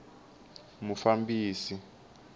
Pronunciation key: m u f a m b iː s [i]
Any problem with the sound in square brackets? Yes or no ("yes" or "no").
no